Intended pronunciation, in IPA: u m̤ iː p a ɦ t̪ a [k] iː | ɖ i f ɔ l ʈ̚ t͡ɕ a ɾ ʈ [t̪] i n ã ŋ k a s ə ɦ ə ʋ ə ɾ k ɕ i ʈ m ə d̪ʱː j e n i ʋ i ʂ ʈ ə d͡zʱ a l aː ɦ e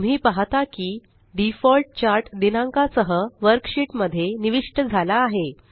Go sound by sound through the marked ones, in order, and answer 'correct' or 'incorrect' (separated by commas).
correct, incorrect